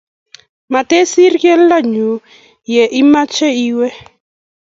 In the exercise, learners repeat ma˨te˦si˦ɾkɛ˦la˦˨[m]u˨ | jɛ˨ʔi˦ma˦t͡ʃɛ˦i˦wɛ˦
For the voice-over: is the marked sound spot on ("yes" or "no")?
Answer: no